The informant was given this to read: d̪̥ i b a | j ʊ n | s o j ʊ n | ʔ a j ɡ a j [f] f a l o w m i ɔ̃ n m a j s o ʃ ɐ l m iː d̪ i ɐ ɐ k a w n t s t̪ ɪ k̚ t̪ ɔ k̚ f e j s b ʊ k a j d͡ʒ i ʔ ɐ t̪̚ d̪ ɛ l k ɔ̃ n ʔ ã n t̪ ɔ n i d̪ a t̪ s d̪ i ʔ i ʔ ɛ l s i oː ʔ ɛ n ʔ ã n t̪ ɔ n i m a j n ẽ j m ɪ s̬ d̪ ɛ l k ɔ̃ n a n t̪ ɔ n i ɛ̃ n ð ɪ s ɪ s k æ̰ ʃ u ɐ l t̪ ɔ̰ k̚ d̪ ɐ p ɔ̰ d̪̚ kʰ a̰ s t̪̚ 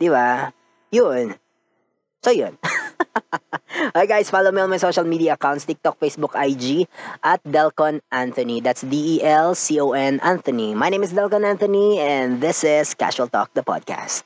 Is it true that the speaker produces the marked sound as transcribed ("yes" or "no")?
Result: no